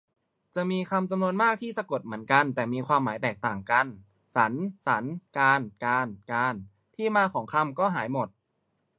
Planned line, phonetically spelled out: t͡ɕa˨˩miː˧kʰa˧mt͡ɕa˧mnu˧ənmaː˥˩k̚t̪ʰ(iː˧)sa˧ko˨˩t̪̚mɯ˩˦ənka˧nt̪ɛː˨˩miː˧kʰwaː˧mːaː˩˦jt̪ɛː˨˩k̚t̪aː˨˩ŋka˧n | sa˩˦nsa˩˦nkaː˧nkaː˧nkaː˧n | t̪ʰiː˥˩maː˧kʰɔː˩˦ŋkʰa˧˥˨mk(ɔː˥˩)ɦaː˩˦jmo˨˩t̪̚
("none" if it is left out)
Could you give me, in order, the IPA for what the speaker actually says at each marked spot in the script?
iː˥˩, ɔː˥˩

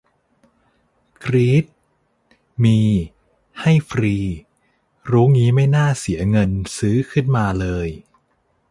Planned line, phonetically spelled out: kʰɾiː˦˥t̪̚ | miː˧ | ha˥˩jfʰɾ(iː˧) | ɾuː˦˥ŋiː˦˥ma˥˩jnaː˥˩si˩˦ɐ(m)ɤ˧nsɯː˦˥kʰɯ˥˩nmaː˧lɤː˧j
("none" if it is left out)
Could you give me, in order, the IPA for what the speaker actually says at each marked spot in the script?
iː˧, ŋ

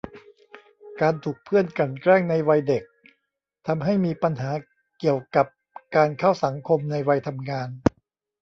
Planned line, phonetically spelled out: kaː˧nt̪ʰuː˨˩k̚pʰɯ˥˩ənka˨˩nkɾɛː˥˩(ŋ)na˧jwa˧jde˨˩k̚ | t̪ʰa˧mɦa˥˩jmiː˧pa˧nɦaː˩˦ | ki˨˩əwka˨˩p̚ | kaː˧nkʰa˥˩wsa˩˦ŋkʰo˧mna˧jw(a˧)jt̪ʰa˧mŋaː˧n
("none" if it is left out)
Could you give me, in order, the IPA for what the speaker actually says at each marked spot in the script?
ŋ, a˧

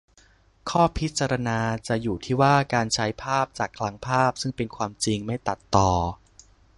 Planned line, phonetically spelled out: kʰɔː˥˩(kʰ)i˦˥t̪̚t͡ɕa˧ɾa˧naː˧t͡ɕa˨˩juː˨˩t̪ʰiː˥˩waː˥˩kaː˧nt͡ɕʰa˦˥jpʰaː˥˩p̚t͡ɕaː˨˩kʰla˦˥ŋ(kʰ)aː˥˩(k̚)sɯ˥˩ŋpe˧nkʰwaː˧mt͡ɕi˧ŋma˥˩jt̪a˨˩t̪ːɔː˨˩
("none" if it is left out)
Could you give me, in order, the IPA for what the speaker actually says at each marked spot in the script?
pʰ, pʰ, p̚

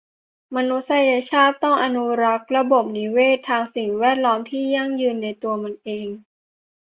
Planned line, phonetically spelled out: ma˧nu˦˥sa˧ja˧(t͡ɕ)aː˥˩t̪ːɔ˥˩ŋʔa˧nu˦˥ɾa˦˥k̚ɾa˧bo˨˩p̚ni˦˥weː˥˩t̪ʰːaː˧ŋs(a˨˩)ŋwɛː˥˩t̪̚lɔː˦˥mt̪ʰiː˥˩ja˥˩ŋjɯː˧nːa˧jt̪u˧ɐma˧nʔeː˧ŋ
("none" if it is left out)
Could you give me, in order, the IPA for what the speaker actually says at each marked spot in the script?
t͡ɕʰ, i˨˩

